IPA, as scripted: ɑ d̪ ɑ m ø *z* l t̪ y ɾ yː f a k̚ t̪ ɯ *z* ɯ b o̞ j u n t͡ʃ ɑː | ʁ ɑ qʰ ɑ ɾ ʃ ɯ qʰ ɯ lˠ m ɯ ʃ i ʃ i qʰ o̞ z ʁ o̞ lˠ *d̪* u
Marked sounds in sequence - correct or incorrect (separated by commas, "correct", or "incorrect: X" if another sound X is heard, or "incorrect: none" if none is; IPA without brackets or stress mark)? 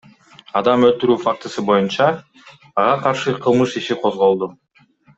incorrect: none, incorrect: s, correct